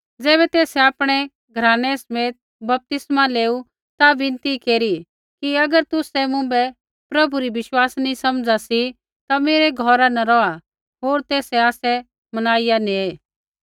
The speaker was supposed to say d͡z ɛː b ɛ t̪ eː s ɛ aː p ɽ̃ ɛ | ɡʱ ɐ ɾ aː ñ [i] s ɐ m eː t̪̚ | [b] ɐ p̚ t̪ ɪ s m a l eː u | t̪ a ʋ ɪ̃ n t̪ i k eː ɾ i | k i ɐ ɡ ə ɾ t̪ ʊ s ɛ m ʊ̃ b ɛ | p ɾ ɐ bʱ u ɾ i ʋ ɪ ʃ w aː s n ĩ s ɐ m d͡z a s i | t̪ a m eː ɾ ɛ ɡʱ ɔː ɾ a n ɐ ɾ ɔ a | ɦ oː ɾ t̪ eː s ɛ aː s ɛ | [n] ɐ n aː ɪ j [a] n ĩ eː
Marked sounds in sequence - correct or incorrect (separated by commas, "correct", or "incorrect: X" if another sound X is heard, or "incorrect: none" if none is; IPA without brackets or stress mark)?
incorrect: ɛ, correct, incorrect: m, correct